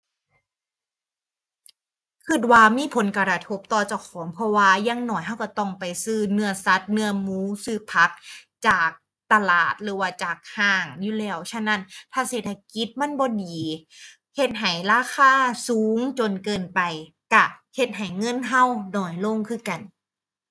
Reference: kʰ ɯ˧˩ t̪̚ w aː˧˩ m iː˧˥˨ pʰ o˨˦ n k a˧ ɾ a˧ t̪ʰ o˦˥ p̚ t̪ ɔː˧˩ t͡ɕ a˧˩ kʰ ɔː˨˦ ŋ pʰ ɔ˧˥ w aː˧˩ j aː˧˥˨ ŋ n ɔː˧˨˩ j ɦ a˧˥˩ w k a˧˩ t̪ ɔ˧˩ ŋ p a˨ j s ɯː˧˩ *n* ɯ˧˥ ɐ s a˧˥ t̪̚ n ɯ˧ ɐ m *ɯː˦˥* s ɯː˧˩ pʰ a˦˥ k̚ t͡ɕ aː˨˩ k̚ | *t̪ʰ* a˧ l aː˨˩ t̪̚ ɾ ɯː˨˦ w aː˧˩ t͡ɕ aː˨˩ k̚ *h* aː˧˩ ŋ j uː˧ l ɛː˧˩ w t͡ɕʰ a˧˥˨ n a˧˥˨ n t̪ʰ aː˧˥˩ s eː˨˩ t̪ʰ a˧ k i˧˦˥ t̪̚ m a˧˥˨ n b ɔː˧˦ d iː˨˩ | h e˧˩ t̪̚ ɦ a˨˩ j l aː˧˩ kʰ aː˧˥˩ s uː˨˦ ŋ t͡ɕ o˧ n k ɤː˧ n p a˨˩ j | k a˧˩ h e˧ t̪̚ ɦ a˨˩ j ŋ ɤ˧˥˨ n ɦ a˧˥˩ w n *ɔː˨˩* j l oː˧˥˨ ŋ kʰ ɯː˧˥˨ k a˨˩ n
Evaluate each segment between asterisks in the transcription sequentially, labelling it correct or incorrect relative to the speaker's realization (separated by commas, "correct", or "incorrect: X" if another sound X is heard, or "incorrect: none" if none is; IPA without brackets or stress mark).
correct, incorrect: uː˦˥, incorrect: t̪, correct, correct